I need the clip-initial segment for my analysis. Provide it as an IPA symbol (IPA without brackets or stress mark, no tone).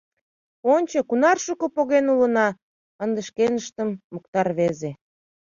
o